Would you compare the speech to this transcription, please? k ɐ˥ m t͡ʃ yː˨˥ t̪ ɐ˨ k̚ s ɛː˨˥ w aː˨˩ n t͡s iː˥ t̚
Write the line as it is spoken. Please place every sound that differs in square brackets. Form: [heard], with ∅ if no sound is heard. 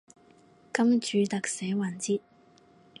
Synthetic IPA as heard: k ɐ˥ m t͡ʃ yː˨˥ t̪ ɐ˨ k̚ s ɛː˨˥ w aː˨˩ n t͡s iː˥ t̚